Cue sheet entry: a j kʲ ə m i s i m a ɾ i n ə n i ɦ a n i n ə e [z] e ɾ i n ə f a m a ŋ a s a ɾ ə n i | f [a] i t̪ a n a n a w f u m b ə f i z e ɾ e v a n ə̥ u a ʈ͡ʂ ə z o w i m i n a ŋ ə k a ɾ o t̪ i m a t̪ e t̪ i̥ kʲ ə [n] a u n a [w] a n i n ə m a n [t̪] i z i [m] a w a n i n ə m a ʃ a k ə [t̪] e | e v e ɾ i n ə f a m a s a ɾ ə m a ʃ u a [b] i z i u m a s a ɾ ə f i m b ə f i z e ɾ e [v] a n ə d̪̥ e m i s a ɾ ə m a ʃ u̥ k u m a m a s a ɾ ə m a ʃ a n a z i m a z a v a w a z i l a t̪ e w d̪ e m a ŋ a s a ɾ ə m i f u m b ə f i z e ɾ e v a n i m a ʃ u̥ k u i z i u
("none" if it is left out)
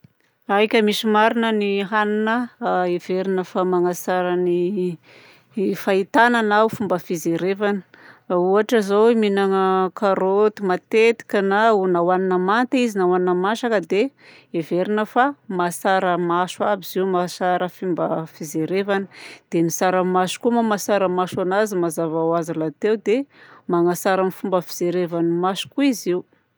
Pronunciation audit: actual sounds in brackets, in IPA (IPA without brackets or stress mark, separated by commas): v, a, n, w, t̪, n, d̪, b, v